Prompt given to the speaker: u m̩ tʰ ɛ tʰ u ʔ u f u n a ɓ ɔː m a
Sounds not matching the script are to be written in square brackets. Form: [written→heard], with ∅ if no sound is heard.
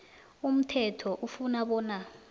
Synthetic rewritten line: u m̩ tʰ ɛ tʰ [u→ɔ] ʔ u f u n a ɓ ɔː [m→n] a